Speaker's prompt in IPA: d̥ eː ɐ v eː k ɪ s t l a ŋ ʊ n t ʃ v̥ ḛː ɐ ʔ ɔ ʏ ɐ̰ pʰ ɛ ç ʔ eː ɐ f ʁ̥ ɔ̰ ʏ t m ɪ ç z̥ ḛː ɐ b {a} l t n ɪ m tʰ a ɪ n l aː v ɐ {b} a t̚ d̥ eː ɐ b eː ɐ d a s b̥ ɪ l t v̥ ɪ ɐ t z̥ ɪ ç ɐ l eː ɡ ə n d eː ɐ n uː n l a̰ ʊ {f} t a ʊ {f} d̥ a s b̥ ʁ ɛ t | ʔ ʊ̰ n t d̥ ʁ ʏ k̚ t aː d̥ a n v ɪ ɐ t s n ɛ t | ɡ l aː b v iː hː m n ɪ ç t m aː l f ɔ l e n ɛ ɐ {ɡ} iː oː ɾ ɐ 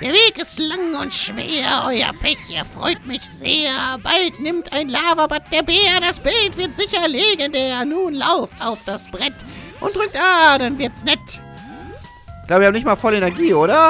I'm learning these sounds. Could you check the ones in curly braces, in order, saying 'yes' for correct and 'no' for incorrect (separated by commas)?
yes, yes, yes, yes, yes